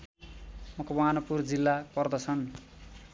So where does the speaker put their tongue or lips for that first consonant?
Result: lips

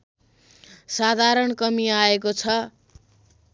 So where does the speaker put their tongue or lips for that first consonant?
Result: tongue tip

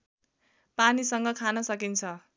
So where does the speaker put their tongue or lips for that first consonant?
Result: lips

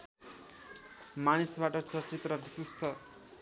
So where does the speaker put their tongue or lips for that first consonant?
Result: lips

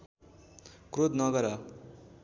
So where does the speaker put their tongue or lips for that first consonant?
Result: velum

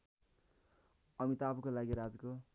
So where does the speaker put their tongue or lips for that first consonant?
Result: lips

